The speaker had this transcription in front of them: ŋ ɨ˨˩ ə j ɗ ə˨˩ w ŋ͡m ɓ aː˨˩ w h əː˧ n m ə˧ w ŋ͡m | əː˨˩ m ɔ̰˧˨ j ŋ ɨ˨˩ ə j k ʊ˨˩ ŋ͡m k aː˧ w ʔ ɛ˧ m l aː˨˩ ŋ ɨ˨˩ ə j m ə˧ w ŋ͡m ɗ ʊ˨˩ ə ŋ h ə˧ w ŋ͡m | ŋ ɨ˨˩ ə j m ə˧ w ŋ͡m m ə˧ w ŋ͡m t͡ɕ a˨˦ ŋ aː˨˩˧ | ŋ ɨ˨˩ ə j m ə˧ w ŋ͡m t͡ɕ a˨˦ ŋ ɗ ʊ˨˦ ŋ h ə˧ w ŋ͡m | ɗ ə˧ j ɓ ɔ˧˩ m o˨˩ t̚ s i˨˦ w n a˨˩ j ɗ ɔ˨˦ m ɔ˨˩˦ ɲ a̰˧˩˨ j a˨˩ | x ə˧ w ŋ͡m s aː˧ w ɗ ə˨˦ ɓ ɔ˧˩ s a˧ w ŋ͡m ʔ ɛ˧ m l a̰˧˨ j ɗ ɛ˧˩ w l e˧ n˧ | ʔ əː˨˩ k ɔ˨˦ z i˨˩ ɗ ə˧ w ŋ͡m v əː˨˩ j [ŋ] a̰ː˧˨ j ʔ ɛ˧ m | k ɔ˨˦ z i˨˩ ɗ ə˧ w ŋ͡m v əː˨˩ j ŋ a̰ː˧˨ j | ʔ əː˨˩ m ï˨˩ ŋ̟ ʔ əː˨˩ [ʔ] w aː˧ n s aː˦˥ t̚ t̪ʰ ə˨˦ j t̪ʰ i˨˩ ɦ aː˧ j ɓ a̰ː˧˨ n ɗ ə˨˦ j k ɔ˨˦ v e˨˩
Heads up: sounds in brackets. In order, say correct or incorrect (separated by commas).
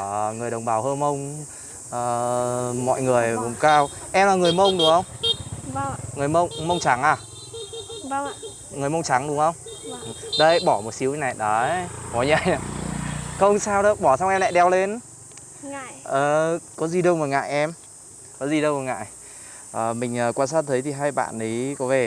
correct, incorrect